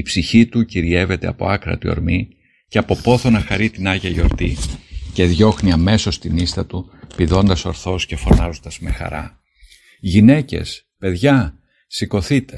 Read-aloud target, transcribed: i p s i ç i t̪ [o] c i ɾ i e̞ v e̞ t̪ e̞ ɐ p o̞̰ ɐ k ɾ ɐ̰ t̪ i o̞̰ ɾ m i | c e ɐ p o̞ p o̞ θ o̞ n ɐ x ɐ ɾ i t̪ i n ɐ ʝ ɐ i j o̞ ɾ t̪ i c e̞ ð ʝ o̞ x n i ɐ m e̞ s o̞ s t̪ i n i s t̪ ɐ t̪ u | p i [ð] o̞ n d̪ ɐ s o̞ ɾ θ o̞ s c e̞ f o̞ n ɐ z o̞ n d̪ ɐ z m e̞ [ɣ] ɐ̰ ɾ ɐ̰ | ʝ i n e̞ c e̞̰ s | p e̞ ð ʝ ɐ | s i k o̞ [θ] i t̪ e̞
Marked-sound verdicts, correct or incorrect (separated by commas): incorrect, correct, incorrect, correct